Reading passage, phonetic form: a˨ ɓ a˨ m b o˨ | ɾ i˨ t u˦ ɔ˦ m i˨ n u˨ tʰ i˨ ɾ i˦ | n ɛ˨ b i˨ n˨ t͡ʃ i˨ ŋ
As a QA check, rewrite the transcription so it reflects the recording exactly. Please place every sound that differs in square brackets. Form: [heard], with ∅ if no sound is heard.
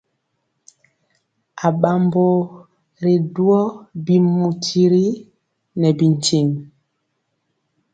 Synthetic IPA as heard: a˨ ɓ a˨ m b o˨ | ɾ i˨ [d] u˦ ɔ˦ [b] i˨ [m] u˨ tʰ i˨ ɾ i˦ | n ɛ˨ b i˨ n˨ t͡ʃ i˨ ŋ